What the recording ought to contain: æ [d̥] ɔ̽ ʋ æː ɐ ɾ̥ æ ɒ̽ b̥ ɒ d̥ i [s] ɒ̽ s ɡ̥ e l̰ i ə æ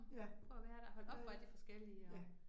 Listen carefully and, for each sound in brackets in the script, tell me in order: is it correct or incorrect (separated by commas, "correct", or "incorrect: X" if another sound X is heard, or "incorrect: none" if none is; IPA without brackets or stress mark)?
incorrect: none, incorrect: f